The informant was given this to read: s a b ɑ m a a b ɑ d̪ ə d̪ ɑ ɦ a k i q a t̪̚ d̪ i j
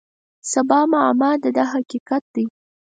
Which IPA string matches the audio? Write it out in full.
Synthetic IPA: s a b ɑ m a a m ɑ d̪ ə d̪ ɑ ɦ a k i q a t̪̚ d̪ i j